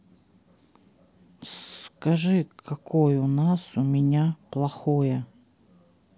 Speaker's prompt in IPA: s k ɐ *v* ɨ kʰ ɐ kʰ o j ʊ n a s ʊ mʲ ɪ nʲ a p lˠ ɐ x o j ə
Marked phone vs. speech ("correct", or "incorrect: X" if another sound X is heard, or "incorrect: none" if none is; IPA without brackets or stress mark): incorrect: ʐ